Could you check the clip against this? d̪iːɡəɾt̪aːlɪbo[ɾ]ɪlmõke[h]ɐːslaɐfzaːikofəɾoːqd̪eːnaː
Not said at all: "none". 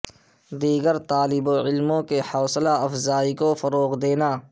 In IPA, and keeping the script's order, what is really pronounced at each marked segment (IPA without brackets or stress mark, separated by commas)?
none, h